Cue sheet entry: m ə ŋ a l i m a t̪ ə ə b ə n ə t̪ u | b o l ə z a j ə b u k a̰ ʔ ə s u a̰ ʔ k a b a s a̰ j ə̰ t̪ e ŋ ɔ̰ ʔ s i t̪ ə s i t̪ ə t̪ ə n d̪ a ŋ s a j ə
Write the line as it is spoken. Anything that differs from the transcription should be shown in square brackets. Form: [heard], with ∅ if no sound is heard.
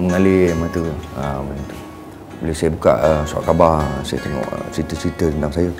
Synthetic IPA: m ə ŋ a l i m a t̪ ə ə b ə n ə t̪ u | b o l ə [s] a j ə b u k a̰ ʔ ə s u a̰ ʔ k a b a s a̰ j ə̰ t̪ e ŋ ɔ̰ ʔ s i t̪ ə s i t̪ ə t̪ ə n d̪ a ŋ s a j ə